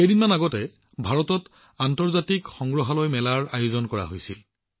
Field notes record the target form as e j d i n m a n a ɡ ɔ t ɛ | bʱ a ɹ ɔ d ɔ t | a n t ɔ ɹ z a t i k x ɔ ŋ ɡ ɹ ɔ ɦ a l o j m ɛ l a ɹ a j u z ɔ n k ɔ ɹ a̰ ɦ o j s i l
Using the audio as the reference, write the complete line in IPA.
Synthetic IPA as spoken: e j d i n m a n a ɡ ɔ t ɛ | bʱ a ɹ ɔ t ɔ t | a n t ɔ ɹ z a t i k x ɔ ŋ ɡ ɹ ɔ ɦ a l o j m ɛ l a ɹ a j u z ɔ n k ɔ ɹ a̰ ɦ o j s i l

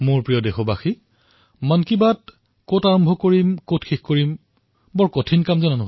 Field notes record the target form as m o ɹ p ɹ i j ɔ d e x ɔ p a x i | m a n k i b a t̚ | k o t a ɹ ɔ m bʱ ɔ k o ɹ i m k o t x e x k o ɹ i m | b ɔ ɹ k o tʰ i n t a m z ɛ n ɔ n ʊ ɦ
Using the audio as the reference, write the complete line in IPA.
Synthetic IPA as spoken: m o ɹ p ɹ i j ɔ d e x ɔ b a x i | m a n k i b a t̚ | k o t a ɹ ɔ m bʱ ɔ k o ɹ i m k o t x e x k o ɹ i m | b ɔ ɹ k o tʰ i n k a m z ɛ n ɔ n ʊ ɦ

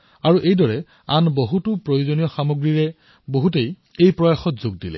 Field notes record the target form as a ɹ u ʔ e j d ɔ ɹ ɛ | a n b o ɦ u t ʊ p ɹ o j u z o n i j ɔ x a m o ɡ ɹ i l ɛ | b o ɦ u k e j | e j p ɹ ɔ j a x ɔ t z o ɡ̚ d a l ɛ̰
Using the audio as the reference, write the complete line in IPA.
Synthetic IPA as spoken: a ɹ u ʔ e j d ɔ ɹ ɛ | a n b o ɦ u t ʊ p ɹ o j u z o n i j ɔ x a m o ɡ ɹ i ɹ ɛ | b o ɦ u t e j | e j p ɹ ɔ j a x ɔ t z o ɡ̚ d i l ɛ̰

